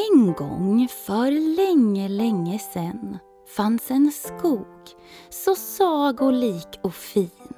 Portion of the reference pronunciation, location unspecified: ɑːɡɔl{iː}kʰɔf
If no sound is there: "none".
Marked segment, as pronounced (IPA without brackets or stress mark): iː